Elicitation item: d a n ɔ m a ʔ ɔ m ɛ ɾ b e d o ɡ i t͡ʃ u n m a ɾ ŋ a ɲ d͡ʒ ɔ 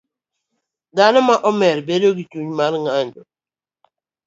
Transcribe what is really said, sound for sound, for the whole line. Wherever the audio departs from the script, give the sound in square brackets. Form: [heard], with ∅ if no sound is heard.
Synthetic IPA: d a n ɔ m a ʔ ɔ m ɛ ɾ b e d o ɡ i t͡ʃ u [ɲ] m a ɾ ŋ a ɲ d͡ʒ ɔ